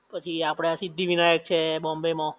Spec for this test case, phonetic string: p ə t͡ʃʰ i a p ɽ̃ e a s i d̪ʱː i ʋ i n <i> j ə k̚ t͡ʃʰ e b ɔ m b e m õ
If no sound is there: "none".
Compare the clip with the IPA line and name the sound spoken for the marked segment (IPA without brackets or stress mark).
a